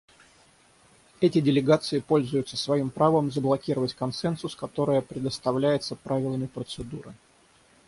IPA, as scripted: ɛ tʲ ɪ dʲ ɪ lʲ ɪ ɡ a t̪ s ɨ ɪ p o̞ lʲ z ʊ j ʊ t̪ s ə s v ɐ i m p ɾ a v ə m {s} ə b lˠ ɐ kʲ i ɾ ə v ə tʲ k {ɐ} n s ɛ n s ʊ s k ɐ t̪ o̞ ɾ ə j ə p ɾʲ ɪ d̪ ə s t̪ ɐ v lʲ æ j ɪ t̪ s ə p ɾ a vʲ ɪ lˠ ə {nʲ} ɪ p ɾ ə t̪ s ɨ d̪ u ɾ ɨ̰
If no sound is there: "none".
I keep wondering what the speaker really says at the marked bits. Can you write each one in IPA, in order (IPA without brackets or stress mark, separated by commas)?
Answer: z, ɐ, mʲ